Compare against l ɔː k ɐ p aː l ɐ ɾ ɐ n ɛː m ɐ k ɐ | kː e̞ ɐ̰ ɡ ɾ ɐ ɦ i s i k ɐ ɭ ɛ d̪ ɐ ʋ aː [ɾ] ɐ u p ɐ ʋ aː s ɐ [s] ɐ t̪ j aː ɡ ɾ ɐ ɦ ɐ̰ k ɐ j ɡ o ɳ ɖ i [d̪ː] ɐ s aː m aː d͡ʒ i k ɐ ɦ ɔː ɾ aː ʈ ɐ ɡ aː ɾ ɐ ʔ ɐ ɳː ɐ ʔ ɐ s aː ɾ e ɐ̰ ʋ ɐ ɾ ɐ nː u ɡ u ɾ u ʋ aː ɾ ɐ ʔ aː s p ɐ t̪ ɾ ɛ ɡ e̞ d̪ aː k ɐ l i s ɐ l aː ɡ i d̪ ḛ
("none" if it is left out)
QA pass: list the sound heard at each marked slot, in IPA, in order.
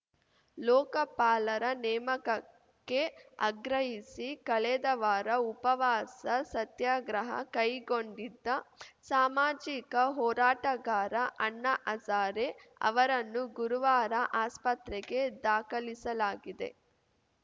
ɾ, s, d̪ː

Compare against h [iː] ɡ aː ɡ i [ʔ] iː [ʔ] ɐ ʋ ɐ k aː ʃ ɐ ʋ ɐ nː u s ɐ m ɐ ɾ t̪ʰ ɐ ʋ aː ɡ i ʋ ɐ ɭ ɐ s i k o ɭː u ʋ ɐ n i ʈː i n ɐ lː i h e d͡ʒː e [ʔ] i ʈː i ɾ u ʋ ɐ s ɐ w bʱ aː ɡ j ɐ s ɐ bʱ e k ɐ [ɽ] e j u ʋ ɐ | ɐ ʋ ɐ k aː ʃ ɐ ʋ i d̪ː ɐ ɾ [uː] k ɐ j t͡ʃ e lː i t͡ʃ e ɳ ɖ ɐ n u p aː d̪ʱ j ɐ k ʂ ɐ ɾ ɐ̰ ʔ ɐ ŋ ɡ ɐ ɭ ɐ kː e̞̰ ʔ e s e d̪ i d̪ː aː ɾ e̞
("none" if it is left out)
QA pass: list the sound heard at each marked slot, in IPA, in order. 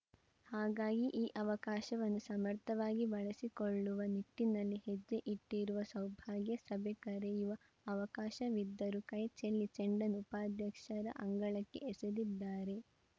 aː, ʔ, ʔ, ʔ, ɾ, u

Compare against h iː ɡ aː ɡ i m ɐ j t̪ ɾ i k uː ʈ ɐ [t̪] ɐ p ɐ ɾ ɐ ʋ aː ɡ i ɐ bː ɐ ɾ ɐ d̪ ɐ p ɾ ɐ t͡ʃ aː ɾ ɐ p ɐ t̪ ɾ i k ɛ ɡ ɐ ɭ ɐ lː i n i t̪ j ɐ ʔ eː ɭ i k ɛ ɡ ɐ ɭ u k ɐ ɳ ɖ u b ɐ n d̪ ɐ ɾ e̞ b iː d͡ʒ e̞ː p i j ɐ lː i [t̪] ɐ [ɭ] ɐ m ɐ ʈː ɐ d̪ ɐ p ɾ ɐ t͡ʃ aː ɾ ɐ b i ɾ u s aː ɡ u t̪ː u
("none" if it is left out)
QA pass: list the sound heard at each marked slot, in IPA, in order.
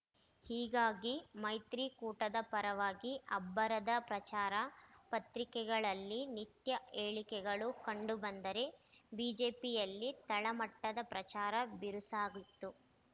d̪, t̪, ɭ

